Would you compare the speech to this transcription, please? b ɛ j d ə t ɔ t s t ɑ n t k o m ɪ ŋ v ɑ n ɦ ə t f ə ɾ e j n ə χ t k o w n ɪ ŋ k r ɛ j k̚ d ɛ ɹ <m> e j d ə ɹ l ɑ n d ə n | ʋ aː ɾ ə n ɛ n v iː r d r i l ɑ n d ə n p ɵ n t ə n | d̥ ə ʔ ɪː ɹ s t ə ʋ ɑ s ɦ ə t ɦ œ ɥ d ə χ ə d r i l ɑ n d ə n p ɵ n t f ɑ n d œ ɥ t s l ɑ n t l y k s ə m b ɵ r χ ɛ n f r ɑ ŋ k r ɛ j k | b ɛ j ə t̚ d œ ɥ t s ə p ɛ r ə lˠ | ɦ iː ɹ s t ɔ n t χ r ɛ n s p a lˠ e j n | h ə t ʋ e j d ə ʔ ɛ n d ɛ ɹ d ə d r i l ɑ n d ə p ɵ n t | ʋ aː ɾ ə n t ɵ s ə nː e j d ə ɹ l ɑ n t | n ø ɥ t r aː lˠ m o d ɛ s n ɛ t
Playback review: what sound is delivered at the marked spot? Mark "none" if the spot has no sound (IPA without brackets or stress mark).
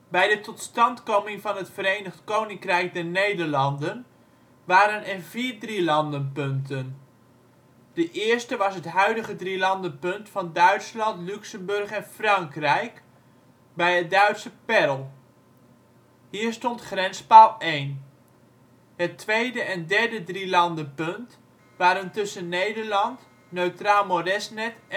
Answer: n